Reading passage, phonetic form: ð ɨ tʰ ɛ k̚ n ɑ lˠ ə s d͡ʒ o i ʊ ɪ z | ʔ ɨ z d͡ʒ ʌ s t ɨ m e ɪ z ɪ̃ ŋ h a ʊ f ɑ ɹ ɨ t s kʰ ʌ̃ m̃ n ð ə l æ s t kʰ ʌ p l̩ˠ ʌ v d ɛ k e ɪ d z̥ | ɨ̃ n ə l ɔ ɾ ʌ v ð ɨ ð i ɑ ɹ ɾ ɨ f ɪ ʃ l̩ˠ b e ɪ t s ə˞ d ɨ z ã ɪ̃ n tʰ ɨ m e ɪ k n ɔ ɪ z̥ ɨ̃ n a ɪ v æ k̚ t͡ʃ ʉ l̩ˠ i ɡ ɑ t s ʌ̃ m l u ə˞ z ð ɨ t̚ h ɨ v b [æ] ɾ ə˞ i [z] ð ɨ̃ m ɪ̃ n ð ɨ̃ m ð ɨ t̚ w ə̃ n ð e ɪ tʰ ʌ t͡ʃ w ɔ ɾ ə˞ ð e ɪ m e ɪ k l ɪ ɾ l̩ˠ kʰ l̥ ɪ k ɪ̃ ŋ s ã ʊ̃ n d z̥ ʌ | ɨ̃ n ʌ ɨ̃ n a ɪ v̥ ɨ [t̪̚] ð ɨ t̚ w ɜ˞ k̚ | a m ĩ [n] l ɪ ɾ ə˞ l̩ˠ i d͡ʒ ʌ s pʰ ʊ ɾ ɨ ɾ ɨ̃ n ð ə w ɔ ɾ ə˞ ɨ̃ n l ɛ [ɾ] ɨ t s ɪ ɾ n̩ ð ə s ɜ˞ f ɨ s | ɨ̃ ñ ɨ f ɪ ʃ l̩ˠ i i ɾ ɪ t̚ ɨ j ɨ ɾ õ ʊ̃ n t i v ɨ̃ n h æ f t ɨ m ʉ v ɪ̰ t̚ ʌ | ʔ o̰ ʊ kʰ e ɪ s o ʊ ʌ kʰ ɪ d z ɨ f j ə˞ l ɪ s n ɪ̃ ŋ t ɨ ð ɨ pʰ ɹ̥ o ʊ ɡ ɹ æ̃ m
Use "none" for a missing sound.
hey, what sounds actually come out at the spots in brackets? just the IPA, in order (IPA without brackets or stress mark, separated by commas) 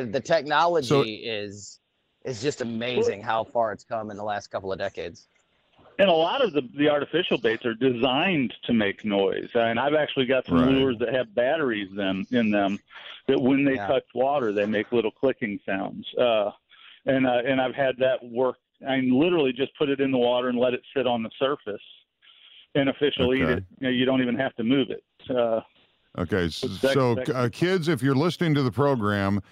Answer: æ, z, d̪̚, n, ɾ